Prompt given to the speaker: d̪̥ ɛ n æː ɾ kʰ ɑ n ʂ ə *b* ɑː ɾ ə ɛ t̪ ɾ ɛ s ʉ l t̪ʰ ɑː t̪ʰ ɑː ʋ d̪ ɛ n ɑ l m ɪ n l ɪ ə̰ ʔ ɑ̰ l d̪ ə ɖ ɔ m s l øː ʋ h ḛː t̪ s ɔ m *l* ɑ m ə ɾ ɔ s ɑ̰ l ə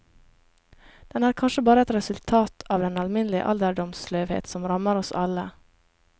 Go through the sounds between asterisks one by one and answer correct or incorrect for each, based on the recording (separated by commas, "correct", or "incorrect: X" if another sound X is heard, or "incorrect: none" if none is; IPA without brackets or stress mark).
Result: correct, incorrect: ɾ